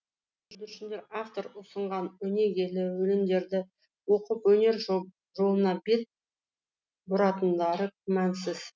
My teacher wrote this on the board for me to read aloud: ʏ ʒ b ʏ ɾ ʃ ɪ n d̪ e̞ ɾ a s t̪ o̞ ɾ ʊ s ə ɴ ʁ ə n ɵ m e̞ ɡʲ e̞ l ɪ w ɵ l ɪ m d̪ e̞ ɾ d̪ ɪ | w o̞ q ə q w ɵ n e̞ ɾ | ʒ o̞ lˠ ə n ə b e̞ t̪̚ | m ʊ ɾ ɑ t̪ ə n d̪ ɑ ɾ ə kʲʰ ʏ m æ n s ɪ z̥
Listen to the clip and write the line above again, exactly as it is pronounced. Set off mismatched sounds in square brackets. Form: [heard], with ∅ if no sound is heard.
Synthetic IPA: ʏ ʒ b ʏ ɾ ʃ ɪ n d̪ e̞ ɾ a [f] t̪ o̞ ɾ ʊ s ə ɴ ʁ [ɑ] n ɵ [n] e̞ ɡʲ e̞ l ɪ w ɵ l ɪ m d̪ e̞ ɾ d̪ ɪ | w o̞ q ə [p] w ɵ n e̞ ɾ | ʒ o̞ lˠ ə n [ɑ] b e̞ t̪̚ | [b] ʊ ɾ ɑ t̪ ə n d̪ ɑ ɾ ə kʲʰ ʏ m æ n s ɪ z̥